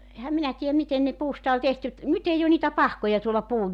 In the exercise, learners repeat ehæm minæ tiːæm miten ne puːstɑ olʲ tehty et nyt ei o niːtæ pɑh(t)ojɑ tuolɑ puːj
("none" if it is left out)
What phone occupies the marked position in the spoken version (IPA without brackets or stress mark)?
k